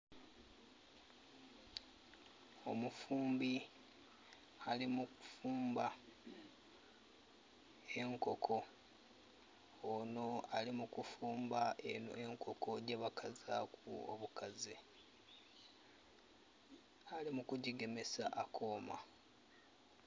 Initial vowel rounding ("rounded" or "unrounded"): rounded